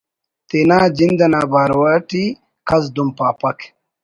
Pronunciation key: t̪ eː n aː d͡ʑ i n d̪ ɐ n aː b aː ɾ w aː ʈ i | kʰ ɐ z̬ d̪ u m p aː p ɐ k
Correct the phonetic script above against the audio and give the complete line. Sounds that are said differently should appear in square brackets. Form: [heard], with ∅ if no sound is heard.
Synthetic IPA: t̪ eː n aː d͡ʑ i n d̪ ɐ n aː b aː ɾ w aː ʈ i | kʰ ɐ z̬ d̪ u m p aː p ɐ k